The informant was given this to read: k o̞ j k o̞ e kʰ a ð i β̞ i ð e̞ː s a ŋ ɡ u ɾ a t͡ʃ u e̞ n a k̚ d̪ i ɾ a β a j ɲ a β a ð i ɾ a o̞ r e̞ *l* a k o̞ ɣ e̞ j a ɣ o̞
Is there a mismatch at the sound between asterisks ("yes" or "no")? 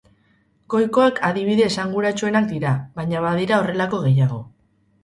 no